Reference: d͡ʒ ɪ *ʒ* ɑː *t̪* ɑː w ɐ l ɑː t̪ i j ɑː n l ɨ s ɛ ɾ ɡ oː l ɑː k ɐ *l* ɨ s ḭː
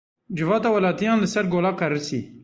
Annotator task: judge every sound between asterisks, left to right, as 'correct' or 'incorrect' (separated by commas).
incorrect, correct, incorrect